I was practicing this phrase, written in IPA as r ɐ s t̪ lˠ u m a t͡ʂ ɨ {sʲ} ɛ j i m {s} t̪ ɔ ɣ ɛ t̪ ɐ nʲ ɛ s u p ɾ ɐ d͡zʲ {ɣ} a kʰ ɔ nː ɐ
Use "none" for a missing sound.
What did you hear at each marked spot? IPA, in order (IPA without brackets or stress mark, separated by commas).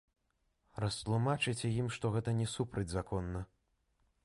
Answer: t͡sʲ, ʂ, z